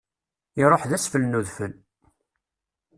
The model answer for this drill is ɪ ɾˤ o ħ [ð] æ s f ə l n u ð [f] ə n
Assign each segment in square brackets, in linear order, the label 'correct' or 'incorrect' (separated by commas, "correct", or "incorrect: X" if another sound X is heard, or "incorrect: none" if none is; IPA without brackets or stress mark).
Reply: correct, correct